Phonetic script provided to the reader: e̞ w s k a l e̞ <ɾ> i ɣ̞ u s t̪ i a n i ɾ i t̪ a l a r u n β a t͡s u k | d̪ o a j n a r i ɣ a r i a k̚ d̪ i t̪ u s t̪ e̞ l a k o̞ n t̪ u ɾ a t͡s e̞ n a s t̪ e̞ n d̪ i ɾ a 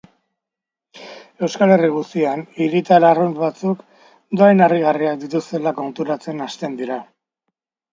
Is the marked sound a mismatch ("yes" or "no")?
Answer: yes